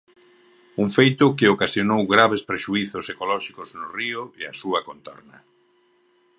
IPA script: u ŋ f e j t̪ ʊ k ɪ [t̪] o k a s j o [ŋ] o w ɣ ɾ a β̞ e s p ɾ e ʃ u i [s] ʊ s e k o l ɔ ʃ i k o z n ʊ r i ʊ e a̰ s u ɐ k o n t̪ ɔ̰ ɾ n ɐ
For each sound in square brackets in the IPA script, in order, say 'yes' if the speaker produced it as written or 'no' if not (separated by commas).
no, no, no